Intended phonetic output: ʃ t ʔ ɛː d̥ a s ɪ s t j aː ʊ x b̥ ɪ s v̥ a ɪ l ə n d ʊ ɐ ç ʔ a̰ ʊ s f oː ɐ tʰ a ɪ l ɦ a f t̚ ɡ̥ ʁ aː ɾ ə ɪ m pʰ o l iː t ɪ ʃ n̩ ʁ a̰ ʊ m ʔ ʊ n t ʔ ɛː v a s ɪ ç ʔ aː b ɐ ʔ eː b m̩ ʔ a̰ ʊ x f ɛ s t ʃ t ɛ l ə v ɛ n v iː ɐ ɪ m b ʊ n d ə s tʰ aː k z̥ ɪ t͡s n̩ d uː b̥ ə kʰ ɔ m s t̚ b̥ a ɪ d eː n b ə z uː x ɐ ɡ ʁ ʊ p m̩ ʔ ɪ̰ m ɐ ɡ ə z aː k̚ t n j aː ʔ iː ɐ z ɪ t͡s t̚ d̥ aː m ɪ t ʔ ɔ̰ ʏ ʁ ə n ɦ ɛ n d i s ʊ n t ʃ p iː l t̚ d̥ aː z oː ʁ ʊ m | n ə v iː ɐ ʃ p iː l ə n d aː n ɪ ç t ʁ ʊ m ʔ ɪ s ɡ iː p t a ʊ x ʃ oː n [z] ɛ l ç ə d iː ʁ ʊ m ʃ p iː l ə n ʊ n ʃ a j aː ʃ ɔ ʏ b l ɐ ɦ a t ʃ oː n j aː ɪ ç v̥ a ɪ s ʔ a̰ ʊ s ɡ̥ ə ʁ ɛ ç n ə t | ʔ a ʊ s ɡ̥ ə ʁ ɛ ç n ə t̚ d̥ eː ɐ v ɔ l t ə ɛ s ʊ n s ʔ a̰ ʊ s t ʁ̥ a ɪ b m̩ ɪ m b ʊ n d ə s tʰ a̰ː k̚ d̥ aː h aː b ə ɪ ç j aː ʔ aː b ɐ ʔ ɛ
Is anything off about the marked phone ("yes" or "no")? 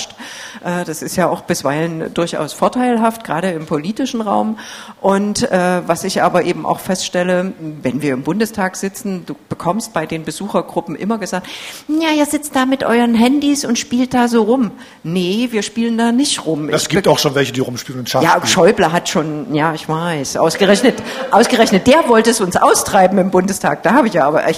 yes